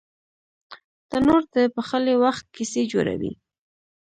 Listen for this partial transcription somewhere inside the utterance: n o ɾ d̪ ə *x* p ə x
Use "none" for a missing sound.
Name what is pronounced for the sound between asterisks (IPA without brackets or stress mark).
none